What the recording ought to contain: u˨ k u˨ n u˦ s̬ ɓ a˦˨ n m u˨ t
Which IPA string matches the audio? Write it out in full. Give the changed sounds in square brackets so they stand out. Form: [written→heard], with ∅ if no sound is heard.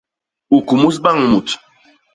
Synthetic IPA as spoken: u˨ k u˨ [n→m] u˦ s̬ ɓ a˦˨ [n→ŋ] m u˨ t